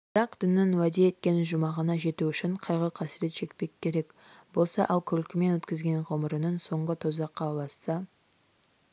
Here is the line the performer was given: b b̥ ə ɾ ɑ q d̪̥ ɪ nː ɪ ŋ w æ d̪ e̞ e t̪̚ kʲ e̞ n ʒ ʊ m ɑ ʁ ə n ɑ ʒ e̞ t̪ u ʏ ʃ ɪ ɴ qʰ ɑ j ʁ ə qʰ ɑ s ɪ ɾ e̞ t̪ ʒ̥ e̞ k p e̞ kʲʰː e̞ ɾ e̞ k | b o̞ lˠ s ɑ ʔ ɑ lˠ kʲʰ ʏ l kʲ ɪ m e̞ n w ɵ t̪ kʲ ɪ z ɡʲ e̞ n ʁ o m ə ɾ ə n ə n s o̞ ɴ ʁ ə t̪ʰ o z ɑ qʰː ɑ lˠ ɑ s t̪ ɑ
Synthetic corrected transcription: b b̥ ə ɾ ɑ q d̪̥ ɪ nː ɪ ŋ w æ d̪ e̞ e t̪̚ kʲ e̞ n ʒ ʊ m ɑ ʁ ə n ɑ ʒ e̞ t̪ u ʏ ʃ ɪ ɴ qʰ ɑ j ʁ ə qʰ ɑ s ɪ ɾ e̞ t̪ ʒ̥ e̞ k p e̞ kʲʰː e̞ ɾ e̞ k | b o̞ lˠ s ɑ ʔ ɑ lˠ kʲʰ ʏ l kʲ ɪ m e̞ n w ɵ t̪ kʲ ɪ z ɡʲ e̞ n ʁ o m ə ɾ ə n ə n s o̞ ɴ ʁ ə t̪ʰ o z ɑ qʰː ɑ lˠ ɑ s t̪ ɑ